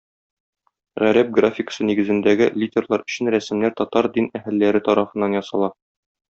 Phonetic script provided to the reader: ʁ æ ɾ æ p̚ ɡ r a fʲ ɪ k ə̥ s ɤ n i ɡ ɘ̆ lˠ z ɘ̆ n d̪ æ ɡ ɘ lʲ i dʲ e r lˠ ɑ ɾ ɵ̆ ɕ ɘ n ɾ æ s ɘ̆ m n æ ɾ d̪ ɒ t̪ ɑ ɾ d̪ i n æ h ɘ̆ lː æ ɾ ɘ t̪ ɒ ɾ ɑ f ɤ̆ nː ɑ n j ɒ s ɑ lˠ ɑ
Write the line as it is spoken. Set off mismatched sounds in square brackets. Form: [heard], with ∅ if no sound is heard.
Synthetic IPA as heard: ʁ æ ɾ æ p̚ ɡ r a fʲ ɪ k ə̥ s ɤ n i ɡ ɘ̆ [∅] z ɘ̆ n d̪ æ ɡ ɘ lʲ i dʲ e r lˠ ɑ ɾ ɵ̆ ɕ ɘ n ɾ æ s ɘ̆ m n æ ɾ [t̪] ɒ t̪ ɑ ɾ d̪ i n æ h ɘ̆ lː æ ɾ ɘ t̪ ɒ ɾ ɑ f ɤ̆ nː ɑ n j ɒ s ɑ lˠ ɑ